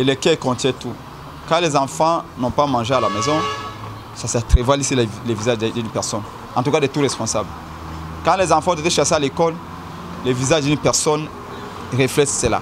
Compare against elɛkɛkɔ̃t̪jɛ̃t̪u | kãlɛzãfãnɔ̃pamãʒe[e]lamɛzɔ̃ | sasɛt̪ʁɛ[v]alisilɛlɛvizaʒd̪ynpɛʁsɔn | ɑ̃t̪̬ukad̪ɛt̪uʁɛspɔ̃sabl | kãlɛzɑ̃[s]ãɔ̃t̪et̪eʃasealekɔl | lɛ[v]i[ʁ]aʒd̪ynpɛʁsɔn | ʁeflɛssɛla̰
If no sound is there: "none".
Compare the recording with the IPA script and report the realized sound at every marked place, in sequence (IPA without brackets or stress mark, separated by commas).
a, v, f, v, z